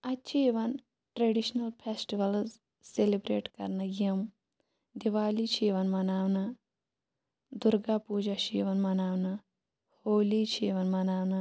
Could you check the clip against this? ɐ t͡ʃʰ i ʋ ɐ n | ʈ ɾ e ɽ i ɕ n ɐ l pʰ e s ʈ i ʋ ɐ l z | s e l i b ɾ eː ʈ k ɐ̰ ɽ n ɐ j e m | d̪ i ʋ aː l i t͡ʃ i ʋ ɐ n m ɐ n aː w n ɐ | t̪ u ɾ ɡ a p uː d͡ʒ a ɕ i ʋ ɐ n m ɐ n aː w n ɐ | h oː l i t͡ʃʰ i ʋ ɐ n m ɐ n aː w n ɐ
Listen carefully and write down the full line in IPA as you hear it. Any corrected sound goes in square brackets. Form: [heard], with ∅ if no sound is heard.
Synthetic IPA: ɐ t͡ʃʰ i ʋ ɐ n | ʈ ɾ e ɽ i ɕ n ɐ l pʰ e s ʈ i ʋ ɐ l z | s e l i b ɾ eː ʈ k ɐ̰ [ɾ] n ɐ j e m | d̪ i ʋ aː l i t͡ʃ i ʋ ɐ n m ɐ n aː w n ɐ | [d̪] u ɾ ɡ a p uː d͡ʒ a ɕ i ʋ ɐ n m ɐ n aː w n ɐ | h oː l i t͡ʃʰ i ʋ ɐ n m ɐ n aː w n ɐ